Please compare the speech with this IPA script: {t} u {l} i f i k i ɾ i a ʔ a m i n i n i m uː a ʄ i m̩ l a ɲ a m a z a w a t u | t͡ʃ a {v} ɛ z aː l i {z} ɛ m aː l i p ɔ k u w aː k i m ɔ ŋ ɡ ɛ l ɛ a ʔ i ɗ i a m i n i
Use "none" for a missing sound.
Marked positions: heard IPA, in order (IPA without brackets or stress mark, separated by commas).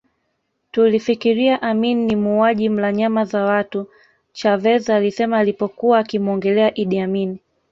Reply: t, l, v, s